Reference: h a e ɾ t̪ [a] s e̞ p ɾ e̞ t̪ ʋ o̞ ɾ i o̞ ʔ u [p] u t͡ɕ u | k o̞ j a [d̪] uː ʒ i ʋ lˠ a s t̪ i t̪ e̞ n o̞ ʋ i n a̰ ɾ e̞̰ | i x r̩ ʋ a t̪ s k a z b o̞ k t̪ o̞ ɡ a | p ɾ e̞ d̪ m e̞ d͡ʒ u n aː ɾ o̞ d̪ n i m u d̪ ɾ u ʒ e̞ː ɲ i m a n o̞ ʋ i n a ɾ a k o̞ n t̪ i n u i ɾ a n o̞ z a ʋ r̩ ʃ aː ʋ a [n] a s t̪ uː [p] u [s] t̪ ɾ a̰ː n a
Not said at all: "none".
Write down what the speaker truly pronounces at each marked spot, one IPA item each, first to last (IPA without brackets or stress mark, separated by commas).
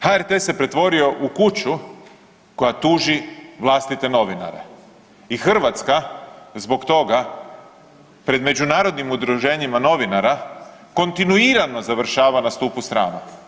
e, k, t̪, n, p, s